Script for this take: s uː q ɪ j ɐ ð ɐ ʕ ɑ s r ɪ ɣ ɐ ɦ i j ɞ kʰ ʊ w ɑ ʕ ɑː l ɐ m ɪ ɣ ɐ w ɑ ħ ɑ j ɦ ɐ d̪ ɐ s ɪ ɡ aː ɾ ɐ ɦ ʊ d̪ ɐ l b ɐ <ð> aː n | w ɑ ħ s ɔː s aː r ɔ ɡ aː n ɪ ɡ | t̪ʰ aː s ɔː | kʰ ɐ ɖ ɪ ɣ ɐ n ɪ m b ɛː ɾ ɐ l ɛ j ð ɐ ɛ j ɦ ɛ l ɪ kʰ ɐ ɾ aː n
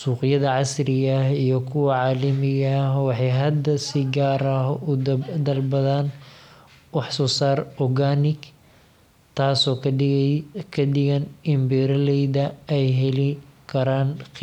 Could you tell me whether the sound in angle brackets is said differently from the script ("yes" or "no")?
no